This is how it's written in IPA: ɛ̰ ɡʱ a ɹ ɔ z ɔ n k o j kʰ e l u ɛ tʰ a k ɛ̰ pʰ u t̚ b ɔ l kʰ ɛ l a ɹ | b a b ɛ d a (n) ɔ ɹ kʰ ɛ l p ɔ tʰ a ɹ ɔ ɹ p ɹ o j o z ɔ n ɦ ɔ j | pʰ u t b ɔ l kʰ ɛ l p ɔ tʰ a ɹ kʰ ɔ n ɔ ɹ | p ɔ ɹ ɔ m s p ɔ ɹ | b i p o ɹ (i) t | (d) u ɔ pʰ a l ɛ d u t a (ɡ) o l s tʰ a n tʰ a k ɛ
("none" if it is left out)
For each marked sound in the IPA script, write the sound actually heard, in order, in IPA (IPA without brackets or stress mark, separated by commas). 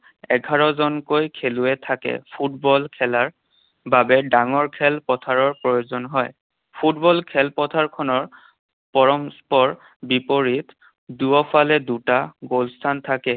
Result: ŋ, i, d, ɡ